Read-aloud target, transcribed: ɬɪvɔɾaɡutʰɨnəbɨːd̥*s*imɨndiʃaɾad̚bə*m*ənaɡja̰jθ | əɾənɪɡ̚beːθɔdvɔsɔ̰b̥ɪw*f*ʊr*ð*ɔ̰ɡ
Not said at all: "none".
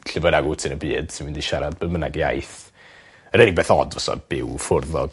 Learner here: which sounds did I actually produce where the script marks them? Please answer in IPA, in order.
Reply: s, m, f, ð

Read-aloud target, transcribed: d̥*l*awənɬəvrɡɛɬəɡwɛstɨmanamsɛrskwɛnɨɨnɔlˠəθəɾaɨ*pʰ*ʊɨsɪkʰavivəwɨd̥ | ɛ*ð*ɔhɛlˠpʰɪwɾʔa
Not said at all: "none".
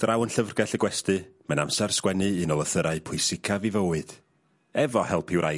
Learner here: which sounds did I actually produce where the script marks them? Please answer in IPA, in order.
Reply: r, pʰ, v

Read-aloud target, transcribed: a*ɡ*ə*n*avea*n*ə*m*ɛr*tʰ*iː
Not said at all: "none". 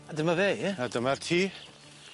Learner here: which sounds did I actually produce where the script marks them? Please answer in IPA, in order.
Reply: d, m, d, m, tʰ

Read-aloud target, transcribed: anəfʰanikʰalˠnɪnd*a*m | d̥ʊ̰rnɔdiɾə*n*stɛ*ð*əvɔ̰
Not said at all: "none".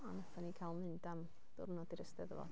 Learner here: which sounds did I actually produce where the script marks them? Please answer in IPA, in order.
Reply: a, none, ð

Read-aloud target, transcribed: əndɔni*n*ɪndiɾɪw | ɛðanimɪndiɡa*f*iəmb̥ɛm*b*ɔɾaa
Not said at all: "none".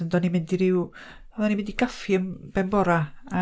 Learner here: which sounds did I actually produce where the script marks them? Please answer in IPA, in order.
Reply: m, f, b

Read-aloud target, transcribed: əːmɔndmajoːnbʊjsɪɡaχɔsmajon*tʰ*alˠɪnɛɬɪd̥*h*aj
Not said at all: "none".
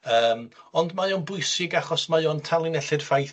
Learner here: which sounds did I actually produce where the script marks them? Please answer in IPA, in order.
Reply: tʰ, f

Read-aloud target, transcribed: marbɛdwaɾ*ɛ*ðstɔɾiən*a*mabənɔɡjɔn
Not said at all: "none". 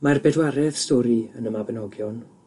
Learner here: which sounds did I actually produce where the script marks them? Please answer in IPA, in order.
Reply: ɛ, ə

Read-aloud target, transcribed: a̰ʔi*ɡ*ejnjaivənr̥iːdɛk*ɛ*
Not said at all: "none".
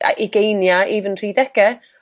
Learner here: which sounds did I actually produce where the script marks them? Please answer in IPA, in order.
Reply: ɡ, ɛ

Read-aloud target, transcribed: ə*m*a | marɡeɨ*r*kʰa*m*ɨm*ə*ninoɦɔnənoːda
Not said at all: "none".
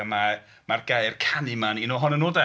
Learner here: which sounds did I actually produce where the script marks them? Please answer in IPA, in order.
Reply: m, r, n, a

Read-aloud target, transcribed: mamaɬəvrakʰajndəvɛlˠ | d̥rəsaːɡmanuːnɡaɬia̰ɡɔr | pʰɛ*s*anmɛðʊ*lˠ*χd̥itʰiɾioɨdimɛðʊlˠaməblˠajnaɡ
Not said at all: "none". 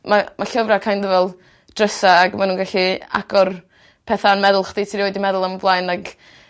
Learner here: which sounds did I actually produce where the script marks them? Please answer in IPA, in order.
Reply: θ, lˠ

